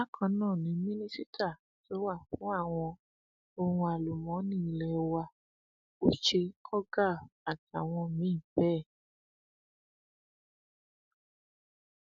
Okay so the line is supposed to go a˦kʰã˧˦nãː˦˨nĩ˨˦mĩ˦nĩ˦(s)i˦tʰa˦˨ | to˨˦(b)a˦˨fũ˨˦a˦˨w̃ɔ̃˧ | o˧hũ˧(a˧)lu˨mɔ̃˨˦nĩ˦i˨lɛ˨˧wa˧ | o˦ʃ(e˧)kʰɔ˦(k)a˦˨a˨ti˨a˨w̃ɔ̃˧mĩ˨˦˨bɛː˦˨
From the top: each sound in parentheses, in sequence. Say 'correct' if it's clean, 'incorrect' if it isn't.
correct, incorrect: w, correct, correct, incorrect: ɡ

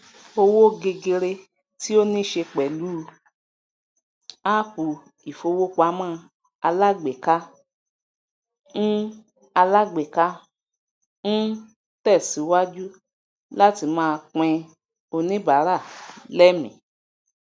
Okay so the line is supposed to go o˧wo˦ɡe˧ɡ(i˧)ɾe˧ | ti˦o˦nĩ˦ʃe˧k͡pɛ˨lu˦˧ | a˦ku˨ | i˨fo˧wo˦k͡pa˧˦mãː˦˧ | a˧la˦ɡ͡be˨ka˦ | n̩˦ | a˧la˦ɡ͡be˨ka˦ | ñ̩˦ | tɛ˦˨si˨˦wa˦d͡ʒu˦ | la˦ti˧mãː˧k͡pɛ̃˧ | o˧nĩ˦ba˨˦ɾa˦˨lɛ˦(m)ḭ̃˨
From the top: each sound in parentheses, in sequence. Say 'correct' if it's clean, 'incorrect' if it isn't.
incorrect: e˧, correct

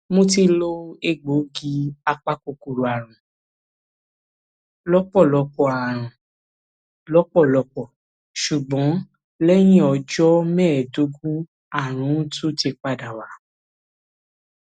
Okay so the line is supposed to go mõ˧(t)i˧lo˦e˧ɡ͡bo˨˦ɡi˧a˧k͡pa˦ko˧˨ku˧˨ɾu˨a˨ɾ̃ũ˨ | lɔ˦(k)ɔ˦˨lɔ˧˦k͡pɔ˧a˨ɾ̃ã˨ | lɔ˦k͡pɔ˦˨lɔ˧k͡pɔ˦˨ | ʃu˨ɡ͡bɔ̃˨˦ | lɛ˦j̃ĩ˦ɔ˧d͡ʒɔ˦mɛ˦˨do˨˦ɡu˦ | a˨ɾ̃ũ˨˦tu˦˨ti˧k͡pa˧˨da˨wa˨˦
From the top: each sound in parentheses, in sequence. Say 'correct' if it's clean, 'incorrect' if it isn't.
correct, incorrect: k͡p

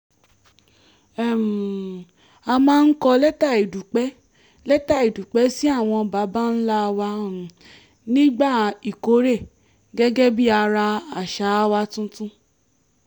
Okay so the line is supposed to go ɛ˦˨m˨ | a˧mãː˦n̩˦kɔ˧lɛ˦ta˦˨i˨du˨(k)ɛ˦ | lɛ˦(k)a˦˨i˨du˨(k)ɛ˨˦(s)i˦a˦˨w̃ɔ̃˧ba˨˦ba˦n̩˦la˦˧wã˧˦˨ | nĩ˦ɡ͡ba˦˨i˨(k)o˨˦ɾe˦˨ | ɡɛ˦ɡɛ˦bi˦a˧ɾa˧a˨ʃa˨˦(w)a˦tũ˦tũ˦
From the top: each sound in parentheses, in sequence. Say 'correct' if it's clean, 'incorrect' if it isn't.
incorrect: k͡p, incorrect: t, incorrect: k͡p, correct, correct, correct

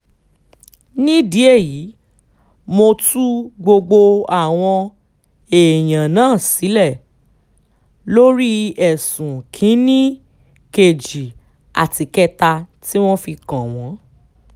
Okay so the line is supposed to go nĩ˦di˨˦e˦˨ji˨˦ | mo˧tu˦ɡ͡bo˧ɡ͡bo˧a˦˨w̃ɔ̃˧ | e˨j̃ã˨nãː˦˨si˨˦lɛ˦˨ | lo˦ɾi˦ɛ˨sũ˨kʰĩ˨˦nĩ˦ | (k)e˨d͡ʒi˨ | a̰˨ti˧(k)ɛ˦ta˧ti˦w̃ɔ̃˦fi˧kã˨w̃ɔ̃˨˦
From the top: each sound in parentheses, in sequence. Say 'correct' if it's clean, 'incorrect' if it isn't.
correct, correct

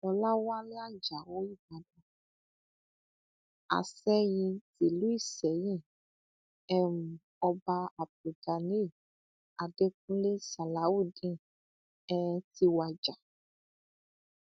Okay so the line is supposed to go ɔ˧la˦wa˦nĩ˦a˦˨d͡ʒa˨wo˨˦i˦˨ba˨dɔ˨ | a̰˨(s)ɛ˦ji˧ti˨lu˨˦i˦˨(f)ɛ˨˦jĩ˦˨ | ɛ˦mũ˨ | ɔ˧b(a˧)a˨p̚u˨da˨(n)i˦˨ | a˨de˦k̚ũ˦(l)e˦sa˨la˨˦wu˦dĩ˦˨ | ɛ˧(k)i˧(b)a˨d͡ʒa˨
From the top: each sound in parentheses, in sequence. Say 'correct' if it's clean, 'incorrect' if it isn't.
correct, incorrect: s, correct, correct, correct, incorrect: t, incorrect: w

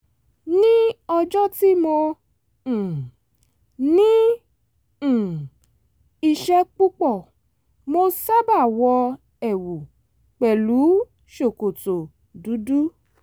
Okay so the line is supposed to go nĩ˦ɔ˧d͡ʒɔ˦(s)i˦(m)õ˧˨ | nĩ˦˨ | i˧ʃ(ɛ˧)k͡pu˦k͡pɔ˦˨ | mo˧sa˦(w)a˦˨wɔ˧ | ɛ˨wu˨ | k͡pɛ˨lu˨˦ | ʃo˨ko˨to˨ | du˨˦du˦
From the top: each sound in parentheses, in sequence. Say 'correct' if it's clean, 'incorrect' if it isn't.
incorrect: t, correct, correct, incorrect: b

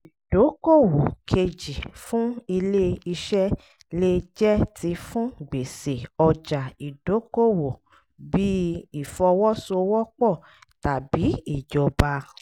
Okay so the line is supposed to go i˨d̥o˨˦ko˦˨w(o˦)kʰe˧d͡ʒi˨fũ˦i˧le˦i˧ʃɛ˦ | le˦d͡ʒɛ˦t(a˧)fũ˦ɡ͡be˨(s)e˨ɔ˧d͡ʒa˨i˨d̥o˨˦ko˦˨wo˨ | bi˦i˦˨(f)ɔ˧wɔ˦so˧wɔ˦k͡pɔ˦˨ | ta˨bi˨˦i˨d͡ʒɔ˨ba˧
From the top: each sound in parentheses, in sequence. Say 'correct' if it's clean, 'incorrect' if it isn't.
incorrect: o˨, incorrect: i˧, correct, correct

